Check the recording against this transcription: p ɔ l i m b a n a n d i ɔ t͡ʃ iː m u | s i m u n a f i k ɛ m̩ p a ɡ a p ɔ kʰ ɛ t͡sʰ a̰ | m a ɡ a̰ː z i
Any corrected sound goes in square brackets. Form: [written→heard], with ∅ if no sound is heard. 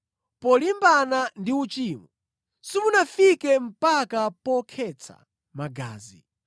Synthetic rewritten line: p ɔ l i m b a n a n d i [ɔ→u] t͡ʃ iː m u | s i m u n a f i k ɛ m̩ p a [ɡ→k] a p ɔ kʰ ɛ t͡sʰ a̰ | m a ɡ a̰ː z i